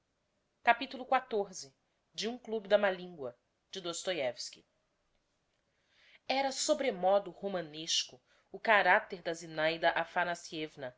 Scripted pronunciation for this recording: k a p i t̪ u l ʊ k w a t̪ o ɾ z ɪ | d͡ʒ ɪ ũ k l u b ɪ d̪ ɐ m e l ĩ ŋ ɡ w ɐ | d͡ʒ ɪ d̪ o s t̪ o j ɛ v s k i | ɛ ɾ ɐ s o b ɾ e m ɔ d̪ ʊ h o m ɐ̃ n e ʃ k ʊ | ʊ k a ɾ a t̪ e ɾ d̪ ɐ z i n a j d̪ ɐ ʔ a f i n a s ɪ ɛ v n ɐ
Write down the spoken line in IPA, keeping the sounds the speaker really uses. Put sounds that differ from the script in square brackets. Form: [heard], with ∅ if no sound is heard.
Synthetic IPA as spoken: k a p i t̪ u l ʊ k w a t̪ o ɾ z ɪ | d͡ʒ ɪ ũ k l u b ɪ d̪ ɐ m [a] l ĩ ŋ ɡ w ɐ | d͡ʒ ɪ d̪ o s t̪ o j ɛ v s k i | ɛ ɾ ɐ s o b ɾ e m ɔ d̪ ʊ h o m ɐ̃ n e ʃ k ʊ | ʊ k a ɾ a t̪ e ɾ d̪ ɐ z i n a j d̪ ɐ ʔ a f [a] n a s [i] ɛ v n ɐ